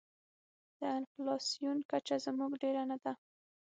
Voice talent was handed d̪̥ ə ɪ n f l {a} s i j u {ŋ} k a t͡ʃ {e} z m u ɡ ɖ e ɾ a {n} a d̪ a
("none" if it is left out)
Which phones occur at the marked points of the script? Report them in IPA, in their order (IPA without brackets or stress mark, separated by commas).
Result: ɑ, n, a, n